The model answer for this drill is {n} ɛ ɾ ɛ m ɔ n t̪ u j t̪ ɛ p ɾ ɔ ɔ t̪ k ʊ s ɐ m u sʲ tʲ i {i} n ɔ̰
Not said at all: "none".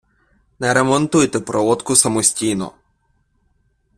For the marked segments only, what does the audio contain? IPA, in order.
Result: n, j

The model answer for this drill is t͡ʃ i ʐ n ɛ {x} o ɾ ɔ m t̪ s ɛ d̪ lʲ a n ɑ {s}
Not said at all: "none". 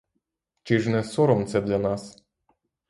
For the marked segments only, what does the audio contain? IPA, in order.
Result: s, s

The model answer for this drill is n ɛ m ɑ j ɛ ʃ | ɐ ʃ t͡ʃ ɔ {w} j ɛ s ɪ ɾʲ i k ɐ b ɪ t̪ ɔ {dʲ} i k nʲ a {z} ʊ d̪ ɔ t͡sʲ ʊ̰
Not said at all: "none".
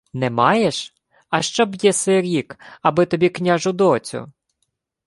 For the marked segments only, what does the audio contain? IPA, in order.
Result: b, bʲ, ʒ

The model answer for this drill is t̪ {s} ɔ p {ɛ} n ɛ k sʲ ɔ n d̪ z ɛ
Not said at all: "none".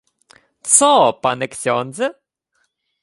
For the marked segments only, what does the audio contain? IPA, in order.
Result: s, a

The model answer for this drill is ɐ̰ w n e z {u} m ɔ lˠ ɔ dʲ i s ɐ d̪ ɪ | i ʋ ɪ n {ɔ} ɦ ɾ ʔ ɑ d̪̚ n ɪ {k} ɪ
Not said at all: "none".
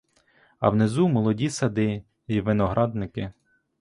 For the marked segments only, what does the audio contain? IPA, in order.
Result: u, ɔ, k

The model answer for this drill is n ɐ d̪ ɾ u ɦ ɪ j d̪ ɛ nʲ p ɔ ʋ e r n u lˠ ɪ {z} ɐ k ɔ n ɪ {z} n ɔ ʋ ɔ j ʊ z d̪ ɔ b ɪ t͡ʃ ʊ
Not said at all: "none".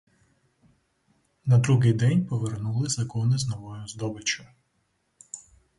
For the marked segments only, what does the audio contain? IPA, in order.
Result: z, z

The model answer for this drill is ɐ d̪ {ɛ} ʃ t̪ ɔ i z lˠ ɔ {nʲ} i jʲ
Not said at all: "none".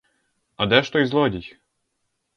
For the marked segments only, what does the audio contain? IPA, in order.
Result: ɛ, dʲ

